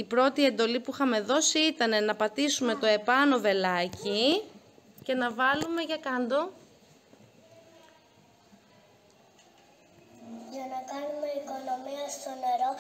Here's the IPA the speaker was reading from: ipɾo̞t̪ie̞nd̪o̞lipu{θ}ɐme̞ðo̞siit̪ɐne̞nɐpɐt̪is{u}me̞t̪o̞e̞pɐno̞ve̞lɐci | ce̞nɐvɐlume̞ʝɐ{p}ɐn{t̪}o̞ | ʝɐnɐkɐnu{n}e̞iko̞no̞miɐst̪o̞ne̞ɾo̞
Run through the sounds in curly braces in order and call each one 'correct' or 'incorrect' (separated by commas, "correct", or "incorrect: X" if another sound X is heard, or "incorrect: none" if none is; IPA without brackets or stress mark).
incorrect: x, correct, incorrect: k, incorrect: d̪, incorrect: m